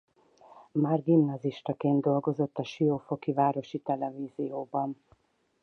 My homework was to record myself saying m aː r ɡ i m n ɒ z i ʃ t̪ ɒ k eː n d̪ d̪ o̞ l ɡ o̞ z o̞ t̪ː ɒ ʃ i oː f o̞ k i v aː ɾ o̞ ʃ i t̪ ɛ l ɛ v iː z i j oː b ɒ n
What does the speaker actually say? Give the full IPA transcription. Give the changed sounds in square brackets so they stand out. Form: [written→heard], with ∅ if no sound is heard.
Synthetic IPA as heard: m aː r ɡ i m n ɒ z i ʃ t̪ ɒ k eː n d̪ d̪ o̞ l ɡ o̞ z o̞ t̪ː ɒ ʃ i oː f o̞ k i v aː ɾ o̞ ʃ i t̪ ɛ l ɛ v iː z i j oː b ɒ n